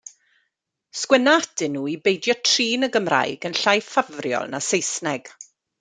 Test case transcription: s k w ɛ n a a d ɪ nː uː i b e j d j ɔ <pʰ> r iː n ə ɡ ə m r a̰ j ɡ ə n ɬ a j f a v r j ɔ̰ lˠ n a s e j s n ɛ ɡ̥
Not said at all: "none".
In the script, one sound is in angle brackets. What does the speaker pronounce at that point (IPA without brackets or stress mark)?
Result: tʰ